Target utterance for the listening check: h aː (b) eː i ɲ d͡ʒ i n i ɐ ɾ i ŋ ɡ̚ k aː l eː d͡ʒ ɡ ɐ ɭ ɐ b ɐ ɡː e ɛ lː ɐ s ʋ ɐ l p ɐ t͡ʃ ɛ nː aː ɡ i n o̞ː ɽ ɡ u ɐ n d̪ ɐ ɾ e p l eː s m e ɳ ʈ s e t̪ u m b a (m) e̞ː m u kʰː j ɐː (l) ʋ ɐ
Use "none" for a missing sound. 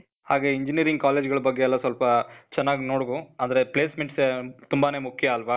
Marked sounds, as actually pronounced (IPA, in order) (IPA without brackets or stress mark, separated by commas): ɡ, n, l